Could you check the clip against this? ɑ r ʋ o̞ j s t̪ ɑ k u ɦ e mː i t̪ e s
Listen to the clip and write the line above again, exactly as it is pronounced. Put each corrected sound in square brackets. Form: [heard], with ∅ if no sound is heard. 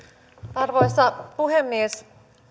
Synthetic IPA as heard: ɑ r ʋ o̞ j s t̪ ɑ [p] u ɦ e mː i [∅] e s